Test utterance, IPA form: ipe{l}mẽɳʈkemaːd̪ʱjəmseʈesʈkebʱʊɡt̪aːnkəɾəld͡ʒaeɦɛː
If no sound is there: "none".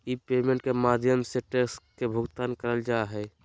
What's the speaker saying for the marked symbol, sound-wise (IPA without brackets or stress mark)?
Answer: none